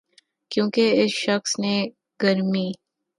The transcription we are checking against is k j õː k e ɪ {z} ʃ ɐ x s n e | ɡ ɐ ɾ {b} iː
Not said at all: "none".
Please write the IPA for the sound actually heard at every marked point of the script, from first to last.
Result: s, m

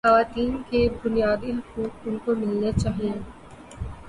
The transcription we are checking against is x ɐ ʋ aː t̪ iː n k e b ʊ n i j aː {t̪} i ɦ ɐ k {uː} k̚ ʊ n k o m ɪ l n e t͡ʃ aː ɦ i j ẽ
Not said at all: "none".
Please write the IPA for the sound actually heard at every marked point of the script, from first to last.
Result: d̪, uː

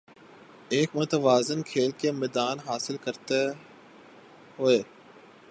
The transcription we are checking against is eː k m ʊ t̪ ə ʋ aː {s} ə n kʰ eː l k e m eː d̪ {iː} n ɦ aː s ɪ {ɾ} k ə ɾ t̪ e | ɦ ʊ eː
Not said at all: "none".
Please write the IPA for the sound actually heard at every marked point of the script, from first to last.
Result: z, aː, l

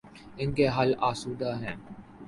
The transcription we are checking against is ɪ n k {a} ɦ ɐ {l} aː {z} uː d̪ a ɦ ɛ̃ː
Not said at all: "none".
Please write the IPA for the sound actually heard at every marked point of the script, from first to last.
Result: e, l, s

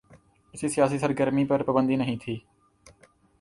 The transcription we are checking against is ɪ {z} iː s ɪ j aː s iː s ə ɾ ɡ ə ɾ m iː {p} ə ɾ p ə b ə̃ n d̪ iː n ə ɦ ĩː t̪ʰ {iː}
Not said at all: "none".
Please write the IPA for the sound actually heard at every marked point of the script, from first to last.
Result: s, p, iː

